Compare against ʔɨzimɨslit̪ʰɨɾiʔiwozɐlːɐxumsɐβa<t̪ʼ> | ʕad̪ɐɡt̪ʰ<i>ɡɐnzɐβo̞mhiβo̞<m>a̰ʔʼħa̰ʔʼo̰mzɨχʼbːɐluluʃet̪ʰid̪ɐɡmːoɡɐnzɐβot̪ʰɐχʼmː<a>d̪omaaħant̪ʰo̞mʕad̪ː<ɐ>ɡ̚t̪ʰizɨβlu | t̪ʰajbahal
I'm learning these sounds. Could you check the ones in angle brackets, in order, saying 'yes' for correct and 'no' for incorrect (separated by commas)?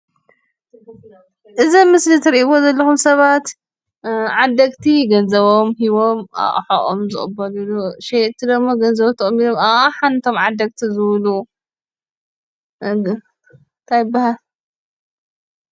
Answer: no, yes, yes, no, yes